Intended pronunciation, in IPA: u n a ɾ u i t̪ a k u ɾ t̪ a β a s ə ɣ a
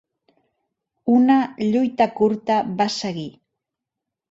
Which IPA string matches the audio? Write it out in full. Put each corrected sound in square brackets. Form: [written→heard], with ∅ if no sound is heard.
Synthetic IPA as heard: u n a [ɾ→ʎ] u [i→j] t̪ a k u ɾ t̪ a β a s [ə→a] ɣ [a→i]